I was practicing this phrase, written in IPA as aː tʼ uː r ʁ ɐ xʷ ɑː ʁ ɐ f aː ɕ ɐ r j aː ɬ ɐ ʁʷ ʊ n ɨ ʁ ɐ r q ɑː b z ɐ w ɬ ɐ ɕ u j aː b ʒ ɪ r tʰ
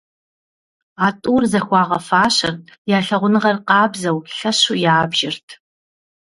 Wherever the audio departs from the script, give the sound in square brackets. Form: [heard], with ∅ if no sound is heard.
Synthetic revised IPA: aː tʼ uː r [z] ɐ xʷ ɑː ʁ ɐ f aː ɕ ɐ r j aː ɬ ɐ ʁʷ ʊ n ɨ ʁ ɐ r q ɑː b z ɐ w ɬ ɐ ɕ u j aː b ʒ ɪ r tʰ